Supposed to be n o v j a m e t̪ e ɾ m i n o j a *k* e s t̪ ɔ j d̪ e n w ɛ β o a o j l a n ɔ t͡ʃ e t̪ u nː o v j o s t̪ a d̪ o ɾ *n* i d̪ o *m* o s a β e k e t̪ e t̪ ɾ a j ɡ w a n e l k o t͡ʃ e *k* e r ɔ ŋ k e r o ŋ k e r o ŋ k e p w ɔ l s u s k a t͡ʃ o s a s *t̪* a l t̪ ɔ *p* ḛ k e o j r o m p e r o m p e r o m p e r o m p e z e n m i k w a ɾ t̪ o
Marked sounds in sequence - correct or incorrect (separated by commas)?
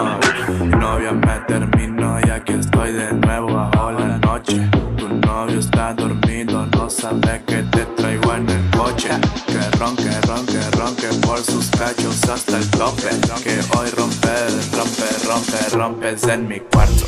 correct, incorrect, incorrect, correct, correct, correct